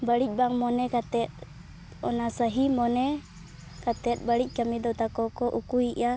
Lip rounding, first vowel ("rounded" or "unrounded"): unrounded